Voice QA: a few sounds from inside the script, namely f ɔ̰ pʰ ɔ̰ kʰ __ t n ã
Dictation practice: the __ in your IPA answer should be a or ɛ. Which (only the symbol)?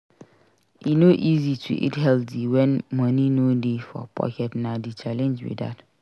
ɛ